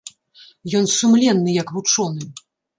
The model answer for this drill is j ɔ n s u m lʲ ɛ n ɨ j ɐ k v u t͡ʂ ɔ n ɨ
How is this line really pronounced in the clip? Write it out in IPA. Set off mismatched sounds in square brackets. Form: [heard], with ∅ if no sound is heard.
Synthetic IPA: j ɔ n s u m lʲ ɛ [nː] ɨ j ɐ k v u t͡ʂ ɔ n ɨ